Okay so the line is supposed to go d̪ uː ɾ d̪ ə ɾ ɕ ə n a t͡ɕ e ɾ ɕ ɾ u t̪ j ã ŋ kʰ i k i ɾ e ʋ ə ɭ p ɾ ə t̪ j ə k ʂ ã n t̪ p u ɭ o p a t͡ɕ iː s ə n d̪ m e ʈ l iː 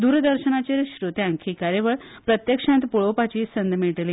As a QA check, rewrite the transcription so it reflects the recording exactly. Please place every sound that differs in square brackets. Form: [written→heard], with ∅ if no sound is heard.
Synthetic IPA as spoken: d̪ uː ɾ d̪ ə ɾ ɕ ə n a t͡ɕ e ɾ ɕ ɾ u t̪ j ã ŋ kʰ i k [i→a] ɾ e ʋ ə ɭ p ɾ ə t̪ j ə k ʂ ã n t̪ p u ɭ o p a t͡ɕ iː s ə n d̪ m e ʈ l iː